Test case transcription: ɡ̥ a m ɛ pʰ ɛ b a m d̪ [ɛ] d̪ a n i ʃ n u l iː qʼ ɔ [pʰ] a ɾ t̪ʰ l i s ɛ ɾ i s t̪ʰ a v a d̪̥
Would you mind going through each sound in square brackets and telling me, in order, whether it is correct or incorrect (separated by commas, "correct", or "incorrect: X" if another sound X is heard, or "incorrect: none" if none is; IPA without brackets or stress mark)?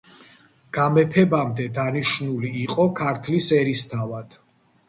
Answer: correct, incorrect: kʰ